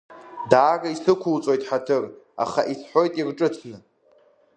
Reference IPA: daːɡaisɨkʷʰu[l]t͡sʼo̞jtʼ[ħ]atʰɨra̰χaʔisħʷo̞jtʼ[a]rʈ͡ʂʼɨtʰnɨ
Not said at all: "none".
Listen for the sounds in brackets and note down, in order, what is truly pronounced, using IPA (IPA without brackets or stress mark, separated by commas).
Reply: l, ħ, i